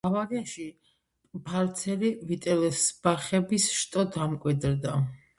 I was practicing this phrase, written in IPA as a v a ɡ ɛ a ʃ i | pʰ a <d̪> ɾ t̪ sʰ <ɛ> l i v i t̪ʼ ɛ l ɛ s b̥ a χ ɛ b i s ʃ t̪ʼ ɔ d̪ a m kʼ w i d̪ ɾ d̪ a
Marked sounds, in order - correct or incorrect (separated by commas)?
incorrect, correct